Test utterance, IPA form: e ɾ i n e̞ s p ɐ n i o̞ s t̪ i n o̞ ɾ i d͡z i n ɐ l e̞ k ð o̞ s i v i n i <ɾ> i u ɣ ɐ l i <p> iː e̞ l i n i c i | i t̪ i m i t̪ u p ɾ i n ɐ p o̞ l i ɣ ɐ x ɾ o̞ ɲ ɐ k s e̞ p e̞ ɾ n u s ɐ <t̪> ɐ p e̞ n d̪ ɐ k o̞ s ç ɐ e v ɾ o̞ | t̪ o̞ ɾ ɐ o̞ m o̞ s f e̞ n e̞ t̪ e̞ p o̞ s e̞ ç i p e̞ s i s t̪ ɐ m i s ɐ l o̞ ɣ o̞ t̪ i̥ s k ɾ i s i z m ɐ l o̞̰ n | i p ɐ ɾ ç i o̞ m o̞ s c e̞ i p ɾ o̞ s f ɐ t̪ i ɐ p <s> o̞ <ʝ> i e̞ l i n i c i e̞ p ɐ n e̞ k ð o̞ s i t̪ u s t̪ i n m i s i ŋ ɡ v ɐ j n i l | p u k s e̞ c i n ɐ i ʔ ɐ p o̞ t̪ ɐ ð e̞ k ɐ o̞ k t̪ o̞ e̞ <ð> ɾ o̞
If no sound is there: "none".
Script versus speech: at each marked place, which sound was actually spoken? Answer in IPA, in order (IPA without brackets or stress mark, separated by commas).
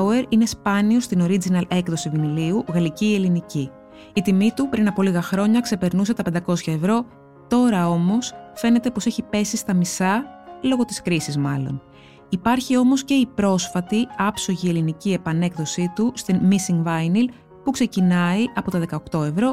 l, c, t̪, s, ʝ, v